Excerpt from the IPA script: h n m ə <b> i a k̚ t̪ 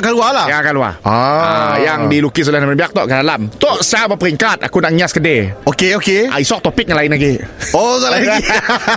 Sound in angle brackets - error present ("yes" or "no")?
no